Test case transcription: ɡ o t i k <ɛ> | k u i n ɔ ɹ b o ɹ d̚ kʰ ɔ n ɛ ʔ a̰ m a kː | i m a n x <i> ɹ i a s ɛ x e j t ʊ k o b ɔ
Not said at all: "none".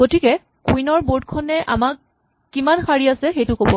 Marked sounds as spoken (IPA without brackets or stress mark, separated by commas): ɛ, a